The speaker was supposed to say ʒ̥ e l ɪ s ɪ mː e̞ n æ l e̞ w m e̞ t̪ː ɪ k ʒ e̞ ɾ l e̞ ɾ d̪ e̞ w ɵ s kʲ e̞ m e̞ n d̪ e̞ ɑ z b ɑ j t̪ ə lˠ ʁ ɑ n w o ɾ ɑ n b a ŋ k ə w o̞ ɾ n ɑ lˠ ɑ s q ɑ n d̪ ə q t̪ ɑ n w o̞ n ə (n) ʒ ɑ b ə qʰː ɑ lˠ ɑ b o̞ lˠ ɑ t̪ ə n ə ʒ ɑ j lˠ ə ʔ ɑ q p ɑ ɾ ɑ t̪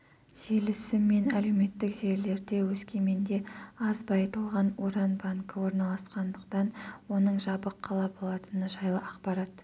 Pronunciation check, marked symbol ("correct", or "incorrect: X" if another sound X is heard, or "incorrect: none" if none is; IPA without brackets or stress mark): incorrect: ɴ